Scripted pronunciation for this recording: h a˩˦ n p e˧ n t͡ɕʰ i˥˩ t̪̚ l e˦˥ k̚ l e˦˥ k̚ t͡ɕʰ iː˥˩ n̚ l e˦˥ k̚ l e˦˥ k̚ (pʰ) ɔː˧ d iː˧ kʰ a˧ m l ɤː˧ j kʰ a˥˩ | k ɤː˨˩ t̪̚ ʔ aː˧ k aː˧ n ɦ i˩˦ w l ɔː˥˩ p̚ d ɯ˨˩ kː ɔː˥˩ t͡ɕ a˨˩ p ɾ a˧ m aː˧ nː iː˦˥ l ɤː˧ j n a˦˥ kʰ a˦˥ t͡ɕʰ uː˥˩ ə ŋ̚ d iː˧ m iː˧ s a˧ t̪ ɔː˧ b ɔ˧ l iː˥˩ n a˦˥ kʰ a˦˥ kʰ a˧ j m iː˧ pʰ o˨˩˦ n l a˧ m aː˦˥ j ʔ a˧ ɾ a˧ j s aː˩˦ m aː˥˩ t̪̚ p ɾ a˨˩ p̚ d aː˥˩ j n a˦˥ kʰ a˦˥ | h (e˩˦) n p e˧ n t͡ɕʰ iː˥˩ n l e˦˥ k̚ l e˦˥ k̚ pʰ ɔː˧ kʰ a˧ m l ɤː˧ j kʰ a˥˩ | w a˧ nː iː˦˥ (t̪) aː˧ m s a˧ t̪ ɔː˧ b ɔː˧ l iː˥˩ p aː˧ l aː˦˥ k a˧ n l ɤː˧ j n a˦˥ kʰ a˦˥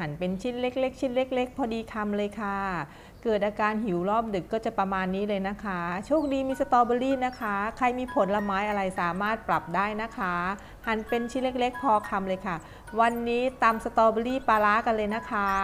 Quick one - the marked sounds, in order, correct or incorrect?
correct, incorrect, correct

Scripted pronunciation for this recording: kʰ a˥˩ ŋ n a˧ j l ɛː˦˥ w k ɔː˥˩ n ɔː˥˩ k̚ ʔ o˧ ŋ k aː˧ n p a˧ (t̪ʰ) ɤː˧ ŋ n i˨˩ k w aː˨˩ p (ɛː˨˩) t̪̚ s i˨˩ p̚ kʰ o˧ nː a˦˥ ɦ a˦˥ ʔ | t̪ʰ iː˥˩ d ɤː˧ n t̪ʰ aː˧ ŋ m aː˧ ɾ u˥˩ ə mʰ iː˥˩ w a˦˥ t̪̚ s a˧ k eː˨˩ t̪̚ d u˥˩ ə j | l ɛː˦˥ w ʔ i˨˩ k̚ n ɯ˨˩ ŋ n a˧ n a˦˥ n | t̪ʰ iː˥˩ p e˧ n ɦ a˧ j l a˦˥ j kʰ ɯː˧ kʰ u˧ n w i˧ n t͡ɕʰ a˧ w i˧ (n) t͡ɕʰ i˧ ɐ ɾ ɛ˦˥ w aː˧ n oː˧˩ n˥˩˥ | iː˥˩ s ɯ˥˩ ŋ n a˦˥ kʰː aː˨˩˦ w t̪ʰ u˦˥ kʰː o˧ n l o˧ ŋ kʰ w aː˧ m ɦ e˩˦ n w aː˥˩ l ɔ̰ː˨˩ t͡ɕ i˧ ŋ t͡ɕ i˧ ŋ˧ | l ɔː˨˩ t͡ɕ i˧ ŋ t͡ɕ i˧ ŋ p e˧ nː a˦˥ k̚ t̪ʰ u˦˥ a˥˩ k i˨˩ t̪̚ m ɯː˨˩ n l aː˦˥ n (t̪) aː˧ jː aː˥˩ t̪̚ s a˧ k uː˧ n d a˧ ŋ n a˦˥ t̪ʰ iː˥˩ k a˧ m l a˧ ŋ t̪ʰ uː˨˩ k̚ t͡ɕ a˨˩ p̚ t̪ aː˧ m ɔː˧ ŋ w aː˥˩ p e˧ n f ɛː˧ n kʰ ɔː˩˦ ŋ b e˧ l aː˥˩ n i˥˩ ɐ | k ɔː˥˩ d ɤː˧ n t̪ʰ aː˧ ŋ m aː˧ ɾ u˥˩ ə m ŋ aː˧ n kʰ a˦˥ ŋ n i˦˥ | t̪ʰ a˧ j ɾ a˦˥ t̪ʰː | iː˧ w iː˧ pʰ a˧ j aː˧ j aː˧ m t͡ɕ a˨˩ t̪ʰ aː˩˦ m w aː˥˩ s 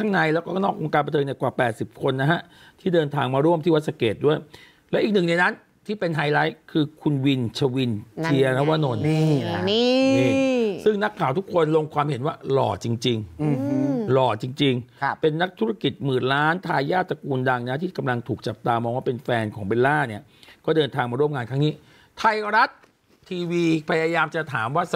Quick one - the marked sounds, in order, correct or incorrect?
correct, correct, correct, incorrect

